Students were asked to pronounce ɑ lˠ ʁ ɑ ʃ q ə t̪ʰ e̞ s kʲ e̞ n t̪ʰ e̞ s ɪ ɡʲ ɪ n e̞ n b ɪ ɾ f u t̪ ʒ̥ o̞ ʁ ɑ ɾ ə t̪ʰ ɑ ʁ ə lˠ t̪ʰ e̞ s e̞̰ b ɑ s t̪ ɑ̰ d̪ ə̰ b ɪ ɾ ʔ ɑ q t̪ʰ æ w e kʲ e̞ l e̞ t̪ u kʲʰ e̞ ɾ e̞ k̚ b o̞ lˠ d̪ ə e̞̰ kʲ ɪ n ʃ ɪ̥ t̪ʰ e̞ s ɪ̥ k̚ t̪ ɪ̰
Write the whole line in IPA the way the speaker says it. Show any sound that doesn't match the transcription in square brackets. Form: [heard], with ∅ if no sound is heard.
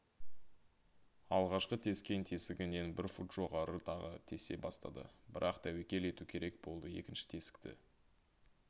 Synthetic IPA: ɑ lˠ ʁ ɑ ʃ q ə t̪ʰ e̞ s kʲ e̞ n t̪ʰ e̞ s ɪ ɡʲ ɪ n e̞ n b ɪ ɾ f u t̪ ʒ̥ o̞ ʁ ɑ ɾ ə t̪ʰ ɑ ʁ ə [∅] t̪ʰ e̞ s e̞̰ b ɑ s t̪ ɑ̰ d̪ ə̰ b ɪ ɾ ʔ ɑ q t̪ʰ æ w e kʲ e̞ l e̞ t̪ u kʲʰ e̞ ɾ e̞ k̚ b o̞ lˠ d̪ ə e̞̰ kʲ ɪ n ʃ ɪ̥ t̪ʰ e̞ s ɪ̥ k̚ t̪ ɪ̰